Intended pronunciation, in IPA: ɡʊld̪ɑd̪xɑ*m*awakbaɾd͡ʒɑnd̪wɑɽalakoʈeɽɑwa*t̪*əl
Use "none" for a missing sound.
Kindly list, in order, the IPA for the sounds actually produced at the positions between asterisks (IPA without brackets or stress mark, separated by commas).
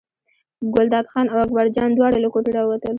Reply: n, t̪